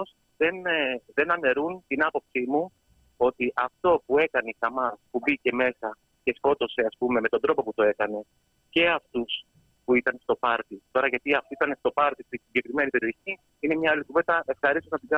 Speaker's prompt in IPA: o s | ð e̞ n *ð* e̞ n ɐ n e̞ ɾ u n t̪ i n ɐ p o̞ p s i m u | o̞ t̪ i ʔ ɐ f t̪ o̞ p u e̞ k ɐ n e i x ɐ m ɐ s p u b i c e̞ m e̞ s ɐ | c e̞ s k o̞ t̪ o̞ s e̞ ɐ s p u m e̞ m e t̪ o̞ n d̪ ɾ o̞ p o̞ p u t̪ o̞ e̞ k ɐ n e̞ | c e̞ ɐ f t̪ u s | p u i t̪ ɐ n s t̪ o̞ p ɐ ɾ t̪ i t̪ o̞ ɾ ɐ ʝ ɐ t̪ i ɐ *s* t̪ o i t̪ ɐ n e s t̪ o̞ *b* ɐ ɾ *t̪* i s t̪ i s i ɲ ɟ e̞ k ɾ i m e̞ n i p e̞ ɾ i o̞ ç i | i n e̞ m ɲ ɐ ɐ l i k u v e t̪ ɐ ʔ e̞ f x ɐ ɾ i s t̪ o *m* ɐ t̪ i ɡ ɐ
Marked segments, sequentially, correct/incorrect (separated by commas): correct, incorrect, incorrect, correct, incorrect